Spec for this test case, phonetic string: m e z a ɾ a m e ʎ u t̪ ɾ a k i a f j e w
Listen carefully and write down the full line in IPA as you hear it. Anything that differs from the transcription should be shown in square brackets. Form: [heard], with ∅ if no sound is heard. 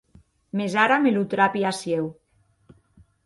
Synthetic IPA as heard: m e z a ɾ a m e [l] u t̪ ɾ a [p] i a [s] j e w